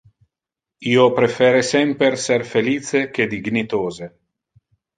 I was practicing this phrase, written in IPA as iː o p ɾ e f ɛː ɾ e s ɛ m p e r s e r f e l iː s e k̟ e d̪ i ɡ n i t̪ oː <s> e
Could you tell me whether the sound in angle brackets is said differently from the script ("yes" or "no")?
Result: yes